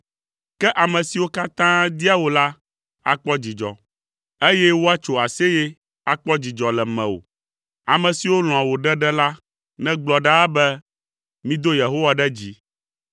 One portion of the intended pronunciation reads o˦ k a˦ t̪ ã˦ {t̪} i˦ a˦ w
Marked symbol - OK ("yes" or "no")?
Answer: no